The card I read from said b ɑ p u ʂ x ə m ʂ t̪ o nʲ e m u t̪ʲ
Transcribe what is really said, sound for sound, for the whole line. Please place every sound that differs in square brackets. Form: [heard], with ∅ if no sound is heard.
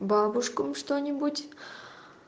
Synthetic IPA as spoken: b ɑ [b] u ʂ [k] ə m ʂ t̪ o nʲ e [b] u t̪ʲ